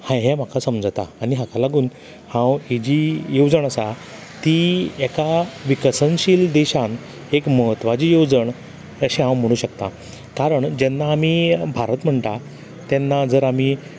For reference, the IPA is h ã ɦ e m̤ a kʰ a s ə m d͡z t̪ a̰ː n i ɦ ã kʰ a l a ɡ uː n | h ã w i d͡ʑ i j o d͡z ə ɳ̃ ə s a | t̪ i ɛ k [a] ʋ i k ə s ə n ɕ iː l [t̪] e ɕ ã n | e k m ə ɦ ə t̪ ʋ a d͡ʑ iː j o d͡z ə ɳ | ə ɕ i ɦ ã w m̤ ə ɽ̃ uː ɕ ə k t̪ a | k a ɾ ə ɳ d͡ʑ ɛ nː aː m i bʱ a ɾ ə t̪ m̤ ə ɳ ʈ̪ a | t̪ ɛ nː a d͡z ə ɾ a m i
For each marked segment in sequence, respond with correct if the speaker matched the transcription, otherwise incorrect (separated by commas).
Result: correct, incorrect